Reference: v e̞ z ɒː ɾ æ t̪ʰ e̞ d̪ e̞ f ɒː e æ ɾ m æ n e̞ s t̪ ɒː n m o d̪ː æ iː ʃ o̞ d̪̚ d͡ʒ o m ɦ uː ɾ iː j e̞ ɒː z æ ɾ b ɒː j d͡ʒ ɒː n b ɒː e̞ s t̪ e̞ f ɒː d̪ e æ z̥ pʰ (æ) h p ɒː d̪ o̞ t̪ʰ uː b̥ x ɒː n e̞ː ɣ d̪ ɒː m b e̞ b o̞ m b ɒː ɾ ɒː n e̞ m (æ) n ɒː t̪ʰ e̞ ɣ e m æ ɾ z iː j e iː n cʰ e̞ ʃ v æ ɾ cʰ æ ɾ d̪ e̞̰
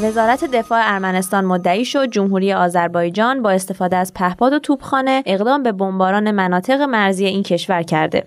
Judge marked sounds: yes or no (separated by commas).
yes, yes